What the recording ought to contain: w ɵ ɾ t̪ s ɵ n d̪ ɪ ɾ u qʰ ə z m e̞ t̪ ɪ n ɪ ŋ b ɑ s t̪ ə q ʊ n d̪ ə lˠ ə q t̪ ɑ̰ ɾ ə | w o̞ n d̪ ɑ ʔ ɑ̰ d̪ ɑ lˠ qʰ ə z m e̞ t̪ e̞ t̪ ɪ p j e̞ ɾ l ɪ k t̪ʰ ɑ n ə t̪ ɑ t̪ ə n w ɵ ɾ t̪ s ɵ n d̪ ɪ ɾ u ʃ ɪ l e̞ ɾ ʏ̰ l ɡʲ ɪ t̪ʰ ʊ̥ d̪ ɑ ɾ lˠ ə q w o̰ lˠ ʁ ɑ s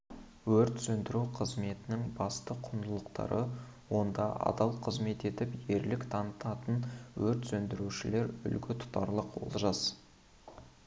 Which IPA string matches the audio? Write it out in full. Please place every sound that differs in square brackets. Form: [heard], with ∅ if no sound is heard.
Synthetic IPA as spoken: w ɵ ɾ t̪ s ɵ n d̪ ɪ ɾ u qʰ ə z m e̞ t̪ ɪ n ɪ ŋ b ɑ s t̪ ə [qʰ] ʊ n d̪ ə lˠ ə q t̪ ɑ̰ ɾ ə | w o̞ n d̪ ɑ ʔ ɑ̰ d̪ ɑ lˠ qʰ ə z m e̞ t̪ e̞ t̪ ɪ p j e̞ ɾ l ɪ k t̪ʰ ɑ n ə t̪ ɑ t̪ ə n w ɵ ɾ t̪ s ɵ n d̪ ɪ ɾ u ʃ ɪ l e̞ ɾ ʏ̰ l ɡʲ ɪ t̪ʰ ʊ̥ [t̪] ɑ ɾ lˠ ə q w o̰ lˠ [ʒ] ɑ s